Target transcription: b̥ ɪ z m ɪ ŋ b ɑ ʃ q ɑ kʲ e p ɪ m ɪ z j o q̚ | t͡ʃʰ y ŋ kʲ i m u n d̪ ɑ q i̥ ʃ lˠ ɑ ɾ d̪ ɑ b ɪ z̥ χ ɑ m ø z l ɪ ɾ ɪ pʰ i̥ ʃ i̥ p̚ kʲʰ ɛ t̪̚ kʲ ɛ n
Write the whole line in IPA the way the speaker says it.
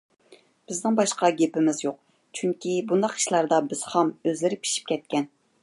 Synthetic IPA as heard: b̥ ɪ z n ɪ ŋ b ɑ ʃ q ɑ ɡʲ e p ɪ m ɪ z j o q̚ | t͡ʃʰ y ŋ kʲ i b u n d̪ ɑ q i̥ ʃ lˠ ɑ ɾ d̪ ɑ b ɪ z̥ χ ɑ m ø z l ɪ ɾ ɪ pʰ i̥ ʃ i̥ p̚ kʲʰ ɛ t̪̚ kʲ ɛ n

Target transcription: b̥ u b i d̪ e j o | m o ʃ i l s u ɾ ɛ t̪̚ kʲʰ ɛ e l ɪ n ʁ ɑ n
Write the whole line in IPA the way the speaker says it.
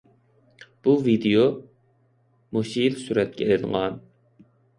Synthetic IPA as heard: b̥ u v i d̪ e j o | m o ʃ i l s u ɾ ɛ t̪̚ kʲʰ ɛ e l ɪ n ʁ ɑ n

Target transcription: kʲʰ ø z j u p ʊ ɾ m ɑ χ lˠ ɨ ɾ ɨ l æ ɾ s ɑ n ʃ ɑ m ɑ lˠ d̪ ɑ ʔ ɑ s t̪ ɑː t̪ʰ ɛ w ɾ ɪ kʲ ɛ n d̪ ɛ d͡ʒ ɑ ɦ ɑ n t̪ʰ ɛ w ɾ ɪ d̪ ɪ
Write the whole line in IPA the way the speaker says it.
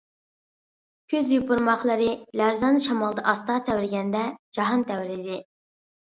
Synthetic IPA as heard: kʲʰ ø z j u p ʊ ɾ m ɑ χ lˠ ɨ ɾ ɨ l æ ɾ z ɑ n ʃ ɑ m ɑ lˠ d̪ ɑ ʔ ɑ s t̪ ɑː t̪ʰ ɛ w ɾ ɪ ɡʲ ɛ n d̪ ɛ d͡ʒ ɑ ɦ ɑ n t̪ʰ ɛ w ɾ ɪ d̪ ɪ

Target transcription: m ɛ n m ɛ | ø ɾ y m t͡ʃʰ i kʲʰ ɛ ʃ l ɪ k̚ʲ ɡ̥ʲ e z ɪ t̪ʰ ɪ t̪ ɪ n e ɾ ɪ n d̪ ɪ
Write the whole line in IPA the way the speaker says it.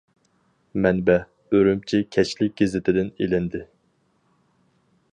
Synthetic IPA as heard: m ɛ n b ɛ | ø ɾ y m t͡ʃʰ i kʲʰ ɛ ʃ l ɪ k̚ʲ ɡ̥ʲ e z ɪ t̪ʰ ɪ d̪ ɪ n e l ɪ n d̪ ɪ

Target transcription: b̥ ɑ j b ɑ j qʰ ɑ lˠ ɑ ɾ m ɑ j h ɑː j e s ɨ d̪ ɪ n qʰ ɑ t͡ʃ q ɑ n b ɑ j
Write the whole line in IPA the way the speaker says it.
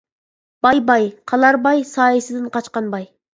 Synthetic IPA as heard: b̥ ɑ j b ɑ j qʰ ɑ lˠ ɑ ɾ b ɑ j s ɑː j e s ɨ d̪ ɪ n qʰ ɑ t͡ʃ q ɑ n b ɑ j

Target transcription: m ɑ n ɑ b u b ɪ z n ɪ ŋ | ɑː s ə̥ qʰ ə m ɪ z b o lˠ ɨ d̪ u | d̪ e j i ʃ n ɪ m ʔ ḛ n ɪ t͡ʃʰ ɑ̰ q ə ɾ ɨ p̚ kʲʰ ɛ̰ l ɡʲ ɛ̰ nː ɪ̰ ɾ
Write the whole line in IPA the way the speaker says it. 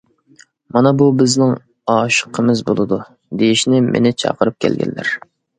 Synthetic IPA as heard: m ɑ n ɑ b u b ɪ z n ɪ ŋ | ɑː ʃ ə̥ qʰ ə m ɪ z b o lˠ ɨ d̪ u | d̪ e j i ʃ n ɪ m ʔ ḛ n ɪ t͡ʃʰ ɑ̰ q ə ɾ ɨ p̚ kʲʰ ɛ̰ l ɡʲ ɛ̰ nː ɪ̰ ɾ

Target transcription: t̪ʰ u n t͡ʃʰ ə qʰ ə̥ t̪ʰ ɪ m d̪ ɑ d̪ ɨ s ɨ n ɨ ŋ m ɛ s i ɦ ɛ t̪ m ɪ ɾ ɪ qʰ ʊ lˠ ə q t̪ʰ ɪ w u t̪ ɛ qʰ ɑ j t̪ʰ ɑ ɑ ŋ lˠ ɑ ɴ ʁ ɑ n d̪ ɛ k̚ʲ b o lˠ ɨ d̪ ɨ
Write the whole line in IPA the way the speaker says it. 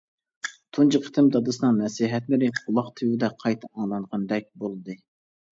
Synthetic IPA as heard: t̪ʰ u n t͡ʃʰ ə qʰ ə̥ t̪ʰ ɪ m d̪ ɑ d̪ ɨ s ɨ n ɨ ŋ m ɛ s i ɦ ɛ t̪ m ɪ ɾ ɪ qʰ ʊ lˠ ɑ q t̪ʰ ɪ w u d̪ ɛ qʰ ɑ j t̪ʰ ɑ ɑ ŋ lˠ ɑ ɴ ʁ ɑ n d̪ ɛ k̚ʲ b o lˠ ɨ d̪ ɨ

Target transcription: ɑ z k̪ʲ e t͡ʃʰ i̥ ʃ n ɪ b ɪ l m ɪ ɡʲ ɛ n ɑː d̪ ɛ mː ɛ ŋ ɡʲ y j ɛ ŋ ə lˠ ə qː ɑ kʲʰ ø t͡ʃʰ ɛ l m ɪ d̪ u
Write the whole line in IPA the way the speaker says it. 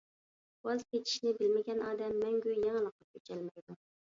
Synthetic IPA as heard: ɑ z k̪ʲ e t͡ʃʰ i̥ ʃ n ɪ b ɪ l m ɪ ɡʲ ɛ n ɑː d̪ ɛ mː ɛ ŋ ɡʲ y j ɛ ŋ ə lˠ ə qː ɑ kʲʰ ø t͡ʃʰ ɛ l m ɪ d̪ u

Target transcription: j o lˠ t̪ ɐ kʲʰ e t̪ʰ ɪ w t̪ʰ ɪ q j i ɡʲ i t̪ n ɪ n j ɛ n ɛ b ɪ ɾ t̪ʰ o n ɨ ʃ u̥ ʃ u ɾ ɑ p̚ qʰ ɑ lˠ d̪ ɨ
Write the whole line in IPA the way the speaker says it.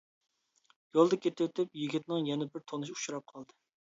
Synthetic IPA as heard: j o lˠ d̪ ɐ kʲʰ e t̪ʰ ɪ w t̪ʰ ɪ p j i ɡʲ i t̪ n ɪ ŋ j ɛ n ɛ b ɪ ɾ t̪ʰ o n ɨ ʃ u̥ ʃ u ɾ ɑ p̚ qʰ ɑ lˠ d̪ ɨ

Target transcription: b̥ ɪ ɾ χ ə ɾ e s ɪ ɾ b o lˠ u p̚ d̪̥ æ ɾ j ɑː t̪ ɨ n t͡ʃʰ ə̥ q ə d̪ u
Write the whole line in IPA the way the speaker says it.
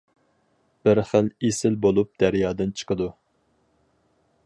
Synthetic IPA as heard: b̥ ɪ ɾ χ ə l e s ɪ l b o lˠ u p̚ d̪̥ æ ɾ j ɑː d̪ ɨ n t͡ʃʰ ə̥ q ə d̪ u

